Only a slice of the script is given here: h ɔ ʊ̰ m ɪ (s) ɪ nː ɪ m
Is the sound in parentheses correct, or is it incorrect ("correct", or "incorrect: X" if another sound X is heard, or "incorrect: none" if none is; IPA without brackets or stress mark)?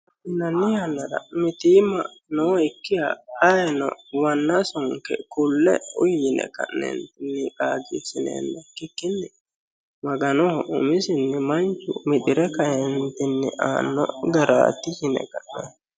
correct